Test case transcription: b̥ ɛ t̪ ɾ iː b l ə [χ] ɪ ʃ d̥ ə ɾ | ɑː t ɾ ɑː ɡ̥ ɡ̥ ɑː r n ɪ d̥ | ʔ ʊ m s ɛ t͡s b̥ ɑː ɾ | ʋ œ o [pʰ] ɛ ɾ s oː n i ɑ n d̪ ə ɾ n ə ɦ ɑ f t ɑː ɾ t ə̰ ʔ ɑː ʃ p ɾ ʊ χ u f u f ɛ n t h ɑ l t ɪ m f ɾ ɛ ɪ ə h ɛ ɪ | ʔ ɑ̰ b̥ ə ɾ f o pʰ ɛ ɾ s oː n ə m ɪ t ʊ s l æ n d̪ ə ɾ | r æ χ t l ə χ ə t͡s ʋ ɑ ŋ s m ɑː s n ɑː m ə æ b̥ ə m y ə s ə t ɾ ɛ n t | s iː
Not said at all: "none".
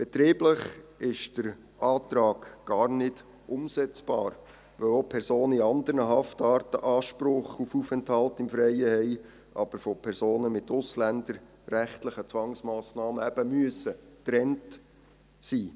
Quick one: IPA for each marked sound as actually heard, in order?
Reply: χ, pʰ

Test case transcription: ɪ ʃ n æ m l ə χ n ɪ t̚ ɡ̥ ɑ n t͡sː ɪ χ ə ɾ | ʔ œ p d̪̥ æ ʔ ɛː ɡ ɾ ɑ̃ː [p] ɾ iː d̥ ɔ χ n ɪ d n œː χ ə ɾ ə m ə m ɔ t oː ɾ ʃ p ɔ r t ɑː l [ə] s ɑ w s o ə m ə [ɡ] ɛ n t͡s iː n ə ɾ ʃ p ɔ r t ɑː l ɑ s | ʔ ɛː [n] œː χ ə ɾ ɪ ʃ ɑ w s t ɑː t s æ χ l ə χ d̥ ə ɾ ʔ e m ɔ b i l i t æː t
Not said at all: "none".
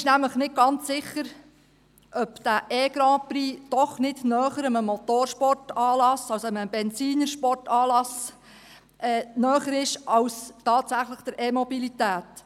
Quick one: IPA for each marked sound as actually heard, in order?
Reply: p, ɑ, b, n

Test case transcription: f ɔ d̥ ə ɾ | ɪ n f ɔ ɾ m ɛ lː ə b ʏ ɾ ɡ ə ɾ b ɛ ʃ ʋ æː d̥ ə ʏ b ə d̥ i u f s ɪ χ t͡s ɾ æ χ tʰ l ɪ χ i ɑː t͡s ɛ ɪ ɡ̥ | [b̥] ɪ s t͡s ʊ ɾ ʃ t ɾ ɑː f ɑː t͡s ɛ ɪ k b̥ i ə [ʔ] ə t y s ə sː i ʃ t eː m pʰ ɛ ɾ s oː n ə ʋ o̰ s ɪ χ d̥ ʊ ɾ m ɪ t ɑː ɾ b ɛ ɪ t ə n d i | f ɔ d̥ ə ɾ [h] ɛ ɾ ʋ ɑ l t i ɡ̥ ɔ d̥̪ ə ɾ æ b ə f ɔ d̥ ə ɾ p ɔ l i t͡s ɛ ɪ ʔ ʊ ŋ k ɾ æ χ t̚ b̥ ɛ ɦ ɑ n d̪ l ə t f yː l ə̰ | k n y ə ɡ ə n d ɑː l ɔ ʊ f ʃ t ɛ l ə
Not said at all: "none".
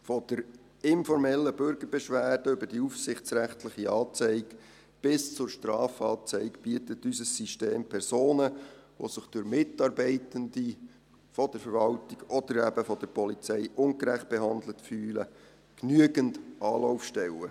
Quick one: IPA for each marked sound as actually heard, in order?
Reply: b̥, t, f

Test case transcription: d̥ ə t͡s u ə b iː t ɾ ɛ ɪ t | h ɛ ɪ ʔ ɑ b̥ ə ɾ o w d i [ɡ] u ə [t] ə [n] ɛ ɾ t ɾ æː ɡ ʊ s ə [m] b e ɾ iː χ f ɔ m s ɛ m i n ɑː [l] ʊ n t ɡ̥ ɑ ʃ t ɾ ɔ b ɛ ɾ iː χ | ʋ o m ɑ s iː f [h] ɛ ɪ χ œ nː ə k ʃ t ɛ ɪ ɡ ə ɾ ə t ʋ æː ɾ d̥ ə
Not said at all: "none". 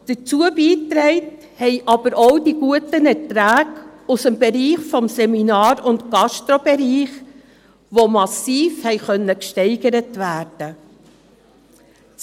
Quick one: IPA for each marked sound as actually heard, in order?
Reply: ɡ, t, n, m, ɾ, h

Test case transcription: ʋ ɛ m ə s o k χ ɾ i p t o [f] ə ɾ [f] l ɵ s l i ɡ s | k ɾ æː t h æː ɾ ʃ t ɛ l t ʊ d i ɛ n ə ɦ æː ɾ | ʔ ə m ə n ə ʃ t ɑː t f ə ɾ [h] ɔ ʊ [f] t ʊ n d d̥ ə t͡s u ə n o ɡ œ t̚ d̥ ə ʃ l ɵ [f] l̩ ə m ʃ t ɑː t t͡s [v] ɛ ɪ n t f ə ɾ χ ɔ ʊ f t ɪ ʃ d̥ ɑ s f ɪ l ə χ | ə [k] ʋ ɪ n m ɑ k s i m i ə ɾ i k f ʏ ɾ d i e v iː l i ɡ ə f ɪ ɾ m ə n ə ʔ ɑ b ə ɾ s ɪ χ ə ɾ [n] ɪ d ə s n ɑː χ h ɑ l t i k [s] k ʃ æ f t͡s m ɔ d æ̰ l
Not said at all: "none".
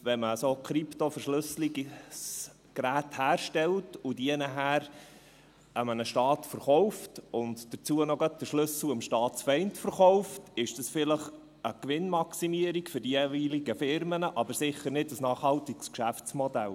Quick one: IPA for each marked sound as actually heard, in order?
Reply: f, ʃ, χ, f, s, f, k, n, s

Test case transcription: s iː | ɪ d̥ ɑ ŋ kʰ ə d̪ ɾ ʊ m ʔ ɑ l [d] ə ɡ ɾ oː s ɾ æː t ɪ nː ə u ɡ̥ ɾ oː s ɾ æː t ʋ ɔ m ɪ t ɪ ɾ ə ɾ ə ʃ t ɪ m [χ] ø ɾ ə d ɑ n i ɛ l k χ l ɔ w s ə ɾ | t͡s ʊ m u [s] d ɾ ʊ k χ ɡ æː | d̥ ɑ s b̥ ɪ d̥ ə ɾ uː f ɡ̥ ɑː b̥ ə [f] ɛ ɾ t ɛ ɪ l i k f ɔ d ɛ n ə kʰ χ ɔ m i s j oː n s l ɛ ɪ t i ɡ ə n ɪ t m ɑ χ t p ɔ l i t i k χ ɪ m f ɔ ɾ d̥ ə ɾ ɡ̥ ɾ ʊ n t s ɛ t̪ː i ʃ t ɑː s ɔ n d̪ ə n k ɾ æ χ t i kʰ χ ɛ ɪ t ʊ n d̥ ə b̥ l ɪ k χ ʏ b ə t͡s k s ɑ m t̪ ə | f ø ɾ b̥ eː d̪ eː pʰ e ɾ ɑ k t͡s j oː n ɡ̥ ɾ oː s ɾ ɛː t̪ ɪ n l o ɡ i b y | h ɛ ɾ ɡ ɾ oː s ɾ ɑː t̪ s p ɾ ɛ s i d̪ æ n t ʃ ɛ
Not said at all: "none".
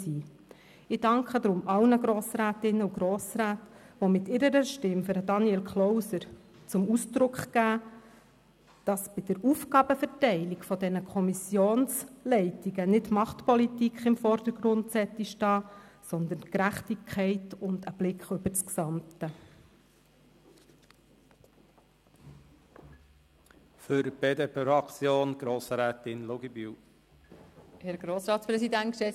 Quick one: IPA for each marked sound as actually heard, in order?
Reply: n, f, s, f

